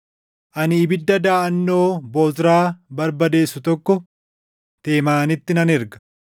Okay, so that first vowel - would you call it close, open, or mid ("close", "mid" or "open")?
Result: open